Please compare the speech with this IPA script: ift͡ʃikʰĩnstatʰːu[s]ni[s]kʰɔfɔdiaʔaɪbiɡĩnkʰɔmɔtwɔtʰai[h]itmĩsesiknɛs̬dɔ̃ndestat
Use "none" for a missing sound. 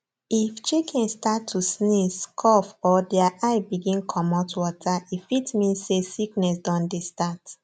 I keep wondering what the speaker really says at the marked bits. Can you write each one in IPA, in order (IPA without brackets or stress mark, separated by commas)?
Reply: s, s, f